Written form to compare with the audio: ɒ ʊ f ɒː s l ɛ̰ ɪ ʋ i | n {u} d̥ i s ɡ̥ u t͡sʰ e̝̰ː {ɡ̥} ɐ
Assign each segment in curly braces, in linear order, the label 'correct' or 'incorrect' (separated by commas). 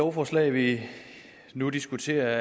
correct, incorrect